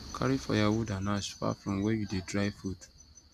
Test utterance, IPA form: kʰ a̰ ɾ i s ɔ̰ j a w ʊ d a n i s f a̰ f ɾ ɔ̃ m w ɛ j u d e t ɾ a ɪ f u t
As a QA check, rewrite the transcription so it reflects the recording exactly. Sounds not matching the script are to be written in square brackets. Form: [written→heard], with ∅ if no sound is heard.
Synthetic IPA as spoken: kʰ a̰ ɾ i [s→f] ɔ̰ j a w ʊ d a n [i→a] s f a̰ f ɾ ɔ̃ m w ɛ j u d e [t→d] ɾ a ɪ f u t